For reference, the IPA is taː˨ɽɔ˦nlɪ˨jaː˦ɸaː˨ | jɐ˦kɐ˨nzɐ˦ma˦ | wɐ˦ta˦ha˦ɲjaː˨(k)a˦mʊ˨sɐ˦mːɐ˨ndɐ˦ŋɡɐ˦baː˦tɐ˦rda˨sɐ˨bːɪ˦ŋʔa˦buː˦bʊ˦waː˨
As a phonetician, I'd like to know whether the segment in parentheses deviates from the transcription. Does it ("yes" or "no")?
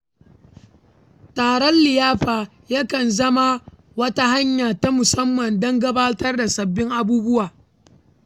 yes